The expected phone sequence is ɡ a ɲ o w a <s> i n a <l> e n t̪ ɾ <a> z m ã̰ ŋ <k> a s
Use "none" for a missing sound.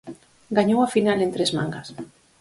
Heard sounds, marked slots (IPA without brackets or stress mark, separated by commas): f, l, e, ɡ